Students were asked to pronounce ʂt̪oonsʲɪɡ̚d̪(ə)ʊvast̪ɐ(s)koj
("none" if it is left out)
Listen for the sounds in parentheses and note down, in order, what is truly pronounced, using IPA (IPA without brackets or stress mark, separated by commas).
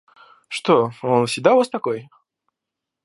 a, none